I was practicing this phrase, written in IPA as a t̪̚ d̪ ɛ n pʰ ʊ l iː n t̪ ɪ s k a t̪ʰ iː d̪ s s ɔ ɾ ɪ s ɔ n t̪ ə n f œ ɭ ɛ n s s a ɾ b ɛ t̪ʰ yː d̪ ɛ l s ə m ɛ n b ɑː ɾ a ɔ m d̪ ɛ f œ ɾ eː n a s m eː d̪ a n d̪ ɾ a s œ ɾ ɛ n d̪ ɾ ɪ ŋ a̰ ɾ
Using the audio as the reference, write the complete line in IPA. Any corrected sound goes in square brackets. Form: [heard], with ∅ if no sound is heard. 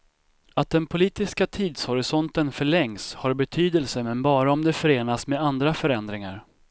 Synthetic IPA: a t̪̚ d̪ ɛ n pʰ ʊ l iː [∅] t̪ ɪ s k a t̪ʰ iː d̪ s [h] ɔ ɾ ɪ s ɔ n t̪ ə n f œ ɭ ɛ [ŋ] s [h] a ɾ b ɛ t̪ʰ yː d̪ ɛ l s ə m ɛ n b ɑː ɾ a ɔ m d̪ ɛ f œ ɾ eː n a s m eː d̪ a n d̪ ɾ a [f] œ ɾ ɛ n d̪ ɾ ɪ ŋ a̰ ɾ